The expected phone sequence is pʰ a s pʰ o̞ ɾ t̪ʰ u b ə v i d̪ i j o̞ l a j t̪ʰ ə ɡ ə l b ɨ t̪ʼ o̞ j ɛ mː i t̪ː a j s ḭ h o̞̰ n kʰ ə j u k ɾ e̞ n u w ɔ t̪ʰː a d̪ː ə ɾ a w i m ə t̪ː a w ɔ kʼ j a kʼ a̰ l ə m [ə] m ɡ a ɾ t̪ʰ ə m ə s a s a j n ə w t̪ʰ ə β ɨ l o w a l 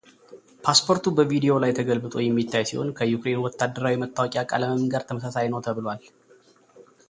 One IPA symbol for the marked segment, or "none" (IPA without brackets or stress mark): ə